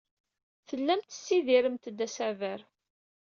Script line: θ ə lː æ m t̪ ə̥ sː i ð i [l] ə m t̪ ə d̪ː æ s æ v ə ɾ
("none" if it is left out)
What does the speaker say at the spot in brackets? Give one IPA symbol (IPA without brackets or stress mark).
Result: ɾ